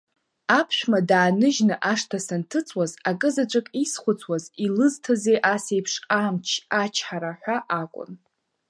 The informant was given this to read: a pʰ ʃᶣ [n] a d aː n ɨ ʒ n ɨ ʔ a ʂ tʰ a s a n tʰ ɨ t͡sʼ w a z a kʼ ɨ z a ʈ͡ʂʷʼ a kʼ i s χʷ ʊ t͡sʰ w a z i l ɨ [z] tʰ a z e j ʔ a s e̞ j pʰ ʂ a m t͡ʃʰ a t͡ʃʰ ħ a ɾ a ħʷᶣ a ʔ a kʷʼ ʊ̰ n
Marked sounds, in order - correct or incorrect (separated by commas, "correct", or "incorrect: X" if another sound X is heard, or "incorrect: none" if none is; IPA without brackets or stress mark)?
incorrect: m, correct